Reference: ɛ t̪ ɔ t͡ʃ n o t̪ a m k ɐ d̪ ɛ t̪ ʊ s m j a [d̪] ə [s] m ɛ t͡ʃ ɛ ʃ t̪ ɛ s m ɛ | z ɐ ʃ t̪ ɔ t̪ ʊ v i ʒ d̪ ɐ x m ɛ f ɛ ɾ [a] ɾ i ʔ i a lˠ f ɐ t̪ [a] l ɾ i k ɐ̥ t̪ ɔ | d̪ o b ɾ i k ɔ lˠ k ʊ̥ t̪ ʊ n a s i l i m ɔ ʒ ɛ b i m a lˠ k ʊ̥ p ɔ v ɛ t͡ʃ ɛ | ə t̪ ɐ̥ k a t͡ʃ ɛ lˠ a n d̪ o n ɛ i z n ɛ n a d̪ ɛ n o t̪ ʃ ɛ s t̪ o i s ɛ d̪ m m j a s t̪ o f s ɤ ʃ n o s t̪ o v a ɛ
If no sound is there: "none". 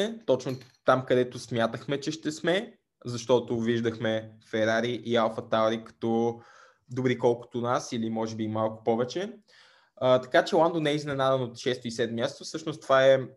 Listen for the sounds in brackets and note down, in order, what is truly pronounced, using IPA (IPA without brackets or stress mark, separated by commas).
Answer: t̪, x, a, a